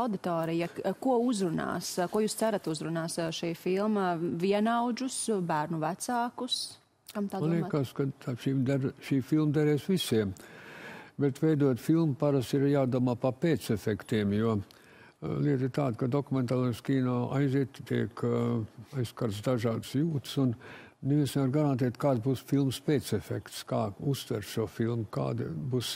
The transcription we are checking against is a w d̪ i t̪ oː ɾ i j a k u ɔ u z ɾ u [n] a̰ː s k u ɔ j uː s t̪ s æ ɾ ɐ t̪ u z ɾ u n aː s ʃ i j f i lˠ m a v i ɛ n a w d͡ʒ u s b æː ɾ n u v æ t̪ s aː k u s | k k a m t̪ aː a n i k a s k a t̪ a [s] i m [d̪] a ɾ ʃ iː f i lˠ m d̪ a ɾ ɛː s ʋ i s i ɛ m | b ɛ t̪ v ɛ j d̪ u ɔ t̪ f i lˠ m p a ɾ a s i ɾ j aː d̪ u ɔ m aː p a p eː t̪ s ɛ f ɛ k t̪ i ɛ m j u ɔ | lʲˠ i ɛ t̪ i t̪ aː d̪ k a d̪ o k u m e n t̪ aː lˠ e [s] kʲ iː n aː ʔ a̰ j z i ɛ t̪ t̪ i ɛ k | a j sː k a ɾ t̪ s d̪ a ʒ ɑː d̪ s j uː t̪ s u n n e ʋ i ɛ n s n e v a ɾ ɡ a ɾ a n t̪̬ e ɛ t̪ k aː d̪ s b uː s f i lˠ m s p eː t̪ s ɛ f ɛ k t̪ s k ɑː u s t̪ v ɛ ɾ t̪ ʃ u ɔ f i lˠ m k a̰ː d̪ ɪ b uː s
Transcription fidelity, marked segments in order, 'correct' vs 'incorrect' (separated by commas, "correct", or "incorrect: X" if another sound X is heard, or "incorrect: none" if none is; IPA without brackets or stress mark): correct, incorrect: ʃ, correct, correct